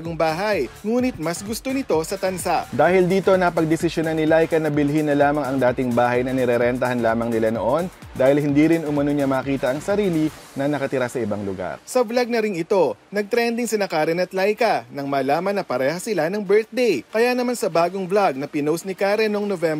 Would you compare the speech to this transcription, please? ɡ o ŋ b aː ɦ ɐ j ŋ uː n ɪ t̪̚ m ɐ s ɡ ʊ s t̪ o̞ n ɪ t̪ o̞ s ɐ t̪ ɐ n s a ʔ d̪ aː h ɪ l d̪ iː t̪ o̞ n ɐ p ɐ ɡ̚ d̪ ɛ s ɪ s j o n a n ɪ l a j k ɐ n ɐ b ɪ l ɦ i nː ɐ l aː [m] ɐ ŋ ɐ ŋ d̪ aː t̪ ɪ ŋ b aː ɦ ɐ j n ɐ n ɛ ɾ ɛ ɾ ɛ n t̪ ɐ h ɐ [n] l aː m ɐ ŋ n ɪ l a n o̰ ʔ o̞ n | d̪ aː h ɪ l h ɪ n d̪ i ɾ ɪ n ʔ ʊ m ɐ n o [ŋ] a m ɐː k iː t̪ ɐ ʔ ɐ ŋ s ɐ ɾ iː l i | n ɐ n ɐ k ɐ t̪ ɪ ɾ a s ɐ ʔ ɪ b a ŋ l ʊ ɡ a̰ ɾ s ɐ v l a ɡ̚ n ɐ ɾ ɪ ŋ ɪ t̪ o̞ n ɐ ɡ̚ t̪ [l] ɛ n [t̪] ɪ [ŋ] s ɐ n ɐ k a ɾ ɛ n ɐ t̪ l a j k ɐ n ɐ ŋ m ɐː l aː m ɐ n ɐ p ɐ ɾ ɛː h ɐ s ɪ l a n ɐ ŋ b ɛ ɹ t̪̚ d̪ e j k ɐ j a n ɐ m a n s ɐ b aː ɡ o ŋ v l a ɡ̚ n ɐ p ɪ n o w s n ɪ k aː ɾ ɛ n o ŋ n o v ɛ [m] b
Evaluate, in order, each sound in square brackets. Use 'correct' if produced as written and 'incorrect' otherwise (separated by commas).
correct, correct, incorrect, incorrect, incorrect, correct, correct